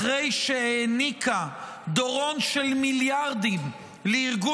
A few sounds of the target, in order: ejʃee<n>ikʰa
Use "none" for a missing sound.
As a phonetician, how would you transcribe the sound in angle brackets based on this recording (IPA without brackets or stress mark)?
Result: n